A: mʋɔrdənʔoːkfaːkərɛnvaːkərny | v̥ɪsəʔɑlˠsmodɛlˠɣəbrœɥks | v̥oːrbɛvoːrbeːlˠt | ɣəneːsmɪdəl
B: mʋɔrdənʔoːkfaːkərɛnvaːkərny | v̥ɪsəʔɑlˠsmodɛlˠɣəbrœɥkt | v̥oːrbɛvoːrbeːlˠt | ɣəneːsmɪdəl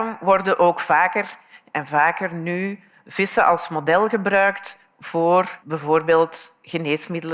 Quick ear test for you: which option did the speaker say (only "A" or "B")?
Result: B